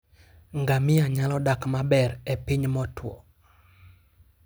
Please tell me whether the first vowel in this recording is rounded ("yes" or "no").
no